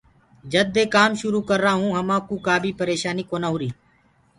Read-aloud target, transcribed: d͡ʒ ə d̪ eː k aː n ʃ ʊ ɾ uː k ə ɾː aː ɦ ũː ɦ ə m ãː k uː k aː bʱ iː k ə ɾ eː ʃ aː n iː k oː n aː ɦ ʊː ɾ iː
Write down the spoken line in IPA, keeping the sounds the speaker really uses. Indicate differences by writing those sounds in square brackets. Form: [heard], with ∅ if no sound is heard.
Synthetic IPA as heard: d͡ʒ ə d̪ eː k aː [m] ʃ ʊ ɾ uː k ə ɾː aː ɦ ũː ɦ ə m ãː k uː k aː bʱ iː [p] ə ɾ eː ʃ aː n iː k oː n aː ɦ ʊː ɾ iː